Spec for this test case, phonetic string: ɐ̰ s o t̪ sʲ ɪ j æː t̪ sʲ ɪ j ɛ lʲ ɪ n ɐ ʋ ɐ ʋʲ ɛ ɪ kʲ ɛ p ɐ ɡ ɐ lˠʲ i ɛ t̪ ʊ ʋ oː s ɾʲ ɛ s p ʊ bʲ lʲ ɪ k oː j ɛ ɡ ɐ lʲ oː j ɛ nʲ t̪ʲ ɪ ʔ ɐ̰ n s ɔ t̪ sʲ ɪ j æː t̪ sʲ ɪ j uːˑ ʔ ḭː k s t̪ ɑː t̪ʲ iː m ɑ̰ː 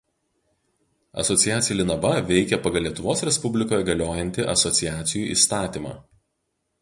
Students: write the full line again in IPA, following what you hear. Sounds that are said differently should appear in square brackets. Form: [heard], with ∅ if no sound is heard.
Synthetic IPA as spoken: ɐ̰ s [ɔ] t̪ sʲ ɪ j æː t̪ sʲ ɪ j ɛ lʲ ɪ n ɐ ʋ ɐ ʋʲ ɛ ɪ kʲ ɛ p ɐ ɡ ɐ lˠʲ i ɛ t̪ ʊ ʋ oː s ɾʲ ɛ s p ʊ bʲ lʲ ɪ k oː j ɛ ɡ ɐ lʲ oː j ɛ nʲ t̪ʲ ɪ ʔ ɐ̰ [∅] s ɔ t̪ sʲ ɪ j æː t̪ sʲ ɪ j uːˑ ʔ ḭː [∅] s t̪ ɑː t̪ʲ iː m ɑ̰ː

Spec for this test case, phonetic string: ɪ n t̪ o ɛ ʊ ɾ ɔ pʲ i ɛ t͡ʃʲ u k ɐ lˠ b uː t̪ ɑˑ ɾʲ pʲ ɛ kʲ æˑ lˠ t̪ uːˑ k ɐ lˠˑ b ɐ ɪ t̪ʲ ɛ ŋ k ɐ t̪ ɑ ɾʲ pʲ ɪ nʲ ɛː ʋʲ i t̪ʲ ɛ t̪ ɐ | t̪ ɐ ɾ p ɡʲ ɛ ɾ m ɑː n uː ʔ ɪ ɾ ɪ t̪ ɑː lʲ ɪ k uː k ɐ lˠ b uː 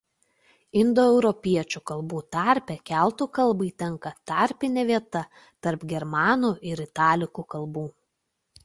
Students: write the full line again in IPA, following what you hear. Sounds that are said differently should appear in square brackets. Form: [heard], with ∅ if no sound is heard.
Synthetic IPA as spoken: ɪ n [d̪] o ɛ ʊ ɾ ɔ pʲ i ɛ t͡ʃʲ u k ɐ lˠ b uː t̪ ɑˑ ɾʲ pʲ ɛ kʲ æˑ lˠ t̪ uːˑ k ɐ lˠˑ b ɐ ɪ t̪ʲ ɛ ŋ k ɐ t̪ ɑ ɾʲ pʲ ɪ nʲ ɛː ʋʲ i [∅] ɛ t̪ ɐ | t̪ ɐ ɾ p ɡʲ ɛ ɾ m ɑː n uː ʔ ɪ ɾ ɪ t̪ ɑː lʲ ɪ k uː k ɐ lˠ b uː

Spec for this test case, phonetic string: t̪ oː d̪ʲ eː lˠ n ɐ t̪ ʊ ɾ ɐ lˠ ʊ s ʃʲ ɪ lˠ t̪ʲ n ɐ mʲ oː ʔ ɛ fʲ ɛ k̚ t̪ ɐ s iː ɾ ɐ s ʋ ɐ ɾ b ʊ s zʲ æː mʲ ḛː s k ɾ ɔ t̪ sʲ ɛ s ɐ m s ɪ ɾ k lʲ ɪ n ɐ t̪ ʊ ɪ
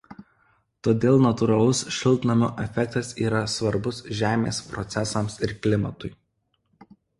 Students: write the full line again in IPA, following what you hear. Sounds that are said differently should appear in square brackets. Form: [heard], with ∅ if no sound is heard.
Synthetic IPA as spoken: t̪ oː d̪ʲ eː lˠ n ɐ t̪ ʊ ɾ ɐ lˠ ʊ s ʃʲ ɪ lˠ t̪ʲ n ɐ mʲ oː ʔ ɛ fʲ ɛ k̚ t̪ ɐ s iː ɾ ɐ s ʋ ɐ ɾ b ʊ s [ʒʲ] æː mʲ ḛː s [p] ɾ ɔ t̪ sʲ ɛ s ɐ m s ɪ ɾ k lʲ ɪ [m] ɐ t̪ ʊ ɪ

